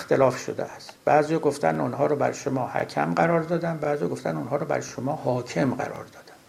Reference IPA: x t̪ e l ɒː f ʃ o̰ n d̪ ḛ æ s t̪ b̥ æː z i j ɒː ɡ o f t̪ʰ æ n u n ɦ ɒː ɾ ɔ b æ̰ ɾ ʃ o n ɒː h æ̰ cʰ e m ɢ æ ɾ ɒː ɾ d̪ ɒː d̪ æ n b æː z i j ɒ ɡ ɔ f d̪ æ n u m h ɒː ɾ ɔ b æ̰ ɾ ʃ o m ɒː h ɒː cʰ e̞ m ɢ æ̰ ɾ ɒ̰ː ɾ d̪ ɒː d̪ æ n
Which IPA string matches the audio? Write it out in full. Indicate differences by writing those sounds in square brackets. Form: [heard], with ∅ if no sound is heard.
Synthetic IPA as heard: x t̪ e l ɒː f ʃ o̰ [∅] d̪ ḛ æ s t̪ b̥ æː z i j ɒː ɡ o f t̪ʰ æ n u n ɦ ɒː ɾ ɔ b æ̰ ɾ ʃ o [m] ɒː h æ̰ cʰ [æ] m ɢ æ ɾ ɒː ɾ d̪ ɒː d̪ æ n b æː z i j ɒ ɡ [o] f [t̪] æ n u [n] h ɒː ɾ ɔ b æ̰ ɾ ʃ o m ɒː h ɒː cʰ e̞ m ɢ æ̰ ɾ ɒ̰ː ɾ d̪ ɒː d̪ æ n